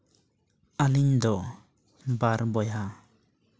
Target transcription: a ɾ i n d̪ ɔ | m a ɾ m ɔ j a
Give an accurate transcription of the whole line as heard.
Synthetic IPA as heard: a l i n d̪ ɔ | b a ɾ b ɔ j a

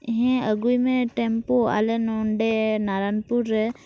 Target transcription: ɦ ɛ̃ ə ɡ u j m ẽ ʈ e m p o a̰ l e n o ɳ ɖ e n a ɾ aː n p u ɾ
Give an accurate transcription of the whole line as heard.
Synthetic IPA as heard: ɦ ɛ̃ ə ɡ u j m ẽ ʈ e m p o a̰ l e n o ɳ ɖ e n a ɾ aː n p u ɾ

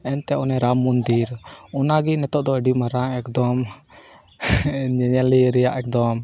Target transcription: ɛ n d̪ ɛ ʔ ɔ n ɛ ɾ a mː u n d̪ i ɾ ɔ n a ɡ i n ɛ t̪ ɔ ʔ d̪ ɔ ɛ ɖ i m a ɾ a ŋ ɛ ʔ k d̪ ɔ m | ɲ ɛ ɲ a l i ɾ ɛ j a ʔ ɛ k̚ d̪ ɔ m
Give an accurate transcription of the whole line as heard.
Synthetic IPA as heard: ɛ n t̪ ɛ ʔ ɔ n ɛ ɾ a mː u n d̪ i ɾ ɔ n a ɡ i n ɛ t̪ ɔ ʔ d̪ ɔ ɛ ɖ i m a ɾ a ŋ ɛ k d̪ ɔ m | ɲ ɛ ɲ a l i ɾ ɛ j a ʔ ɛ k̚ d̪ ɔ m

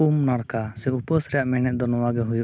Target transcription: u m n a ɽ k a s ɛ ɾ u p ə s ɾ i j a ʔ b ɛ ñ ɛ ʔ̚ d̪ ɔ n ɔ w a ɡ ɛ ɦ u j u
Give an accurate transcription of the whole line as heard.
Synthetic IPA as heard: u m n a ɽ k a s ɛ u p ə s ɾ ɛ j a ʔ m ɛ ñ ɛ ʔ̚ d̪ ɔ n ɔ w a ɡ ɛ ɦ u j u

